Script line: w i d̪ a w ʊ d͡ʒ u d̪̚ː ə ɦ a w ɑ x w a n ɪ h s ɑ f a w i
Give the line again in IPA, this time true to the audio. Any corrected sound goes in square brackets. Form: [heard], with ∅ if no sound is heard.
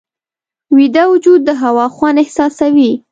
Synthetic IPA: w i d̪ a w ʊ d͡ʒ u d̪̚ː ə ɦ a w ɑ x w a n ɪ h s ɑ [s] a w i

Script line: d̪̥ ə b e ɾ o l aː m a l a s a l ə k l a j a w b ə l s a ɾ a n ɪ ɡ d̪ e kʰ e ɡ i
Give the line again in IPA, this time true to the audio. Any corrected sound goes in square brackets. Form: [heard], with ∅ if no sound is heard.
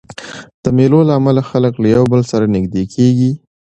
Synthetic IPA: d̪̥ ə [m] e [l] o l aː m a l a [x] a l ə k l a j a w b ə l s a ɾ a n ɪ ɡ d̪ e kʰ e ɡ i

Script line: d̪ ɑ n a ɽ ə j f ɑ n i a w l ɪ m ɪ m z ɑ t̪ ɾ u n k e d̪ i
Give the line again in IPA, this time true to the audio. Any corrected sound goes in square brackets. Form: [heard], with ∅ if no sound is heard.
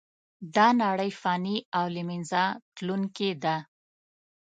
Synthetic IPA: d̪ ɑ n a ɽ ə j f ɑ n i a w l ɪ m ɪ [n] z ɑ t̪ [l] u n k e d̪ [a]

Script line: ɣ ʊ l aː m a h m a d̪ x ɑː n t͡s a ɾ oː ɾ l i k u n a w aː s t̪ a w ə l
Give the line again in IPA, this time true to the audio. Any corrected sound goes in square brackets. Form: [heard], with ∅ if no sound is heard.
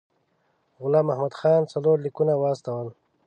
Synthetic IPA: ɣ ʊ l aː m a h m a d̪ x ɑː n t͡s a [l] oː ɾ l i k u n a w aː s t̪ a w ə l

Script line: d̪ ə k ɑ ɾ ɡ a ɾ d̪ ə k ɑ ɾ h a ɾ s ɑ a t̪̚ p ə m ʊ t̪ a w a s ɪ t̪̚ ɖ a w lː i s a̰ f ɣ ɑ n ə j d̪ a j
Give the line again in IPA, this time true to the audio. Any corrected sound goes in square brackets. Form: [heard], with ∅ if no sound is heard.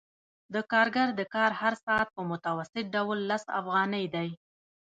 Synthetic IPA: d̪ ə k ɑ ɾ ɡ a ɾ d̪ ə k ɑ ɾ h a ɾ s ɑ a t̪̚ p ə m ʊ t̪ a w a s ɪ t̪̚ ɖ a w lː [a] s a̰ f ɣ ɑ n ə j d̪ a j

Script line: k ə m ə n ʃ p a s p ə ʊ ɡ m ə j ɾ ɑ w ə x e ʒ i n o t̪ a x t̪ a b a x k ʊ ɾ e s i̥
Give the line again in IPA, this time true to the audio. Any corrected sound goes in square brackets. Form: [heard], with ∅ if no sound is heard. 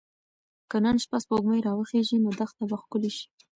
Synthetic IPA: k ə [n] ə n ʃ p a s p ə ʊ ɡ m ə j ɾ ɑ w ə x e ʒ i n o [d̪] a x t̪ a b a x k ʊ [l] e [ʃ] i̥

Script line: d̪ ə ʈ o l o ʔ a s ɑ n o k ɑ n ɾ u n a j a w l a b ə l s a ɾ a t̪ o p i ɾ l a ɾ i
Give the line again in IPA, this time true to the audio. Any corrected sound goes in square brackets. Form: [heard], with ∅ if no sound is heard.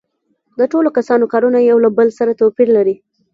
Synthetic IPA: d̪ ə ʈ o l o [k] a s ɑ n o k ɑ [∅] ɾ u n a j a w l a b ə l s a ɾ a t̪ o p i ɾ l a ɾ i

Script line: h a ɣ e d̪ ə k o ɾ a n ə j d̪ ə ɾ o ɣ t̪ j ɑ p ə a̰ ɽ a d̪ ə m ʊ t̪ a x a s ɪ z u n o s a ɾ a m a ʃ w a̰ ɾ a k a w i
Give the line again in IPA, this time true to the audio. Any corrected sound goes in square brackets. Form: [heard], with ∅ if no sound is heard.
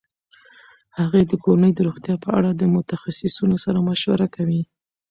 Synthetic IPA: h a ɣ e d̪ ə k o ɾ a n ə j d̪ ə ɾ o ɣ t̪ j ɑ p ə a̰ ɽ a d̪ ə m ʊ t̪ a x a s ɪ [s] u n o s a ɾ a m a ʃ w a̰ ɾ a k a w i

